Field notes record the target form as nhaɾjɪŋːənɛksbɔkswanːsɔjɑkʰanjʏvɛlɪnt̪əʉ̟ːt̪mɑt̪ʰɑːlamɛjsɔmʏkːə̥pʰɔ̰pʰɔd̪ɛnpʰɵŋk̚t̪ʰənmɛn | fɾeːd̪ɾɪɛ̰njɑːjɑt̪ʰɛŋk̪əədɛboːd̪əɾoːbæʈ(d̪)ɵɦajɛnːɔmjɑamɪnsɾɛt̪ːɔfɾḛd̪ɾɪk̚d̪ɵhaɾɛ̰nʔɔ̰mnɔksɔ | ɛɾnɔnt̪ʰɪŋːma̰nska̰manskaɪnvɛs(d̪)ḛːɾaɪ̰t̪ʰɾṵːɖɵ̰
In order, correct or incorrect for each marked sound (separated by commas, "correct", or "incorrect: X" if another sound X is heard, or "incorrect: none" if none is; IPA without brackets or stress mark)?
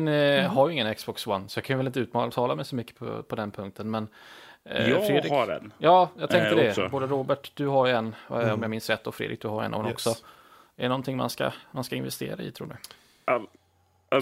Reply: correct, incorrect: t̪